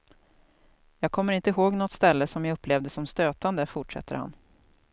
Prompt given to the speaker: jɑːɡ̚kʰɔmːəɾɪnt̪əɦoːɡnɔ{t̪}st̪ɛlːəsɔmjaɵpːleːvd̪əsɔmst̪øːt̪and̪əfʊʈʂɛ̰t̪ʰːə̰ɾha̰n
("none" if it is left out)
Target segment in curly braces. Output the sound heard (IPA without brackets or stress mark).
t̪